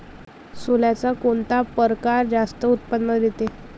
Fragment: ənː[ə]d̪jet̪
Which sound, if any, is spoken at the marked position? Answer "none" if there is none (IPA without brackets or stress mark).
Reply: ə